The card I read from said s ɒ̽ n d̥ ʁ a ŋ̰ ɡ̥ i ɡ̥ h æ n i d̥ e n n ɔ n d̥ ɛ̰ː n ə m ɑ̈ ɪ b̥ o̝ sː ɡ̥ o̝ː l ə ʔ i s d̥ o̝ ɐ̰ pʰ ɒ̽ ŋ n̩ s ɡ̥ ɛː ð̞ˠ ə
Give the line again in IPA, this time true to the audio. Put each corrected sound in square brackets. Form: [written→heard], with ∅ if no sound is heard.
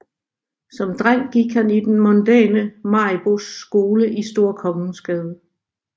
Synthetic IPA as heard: s ɒ̽ [n→m] d̥ ʁ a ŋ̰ ɡ̥ i ɡ̥ h æ n i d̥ e n [n→m] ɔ n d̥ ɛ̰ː n ə m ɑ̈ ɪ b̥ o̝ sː ɡ̥ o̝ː l ə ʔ i s d̥ o̝ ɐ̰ [pʰ→kʰ] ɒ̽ ŋ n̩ s ɡ̥ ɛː ð̞ˠ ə